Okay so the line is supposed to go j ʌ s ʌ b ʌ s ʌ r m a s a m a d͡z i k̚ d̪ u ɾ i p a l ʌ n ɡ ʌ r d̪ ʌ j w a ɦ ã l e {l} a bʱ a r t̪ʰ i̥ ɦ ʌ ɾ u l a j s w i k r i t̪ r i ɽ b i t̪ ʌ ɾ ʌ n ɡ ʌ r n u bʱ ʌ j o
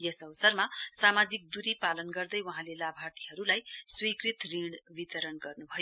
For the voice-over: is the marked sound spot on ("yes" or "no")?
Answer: yes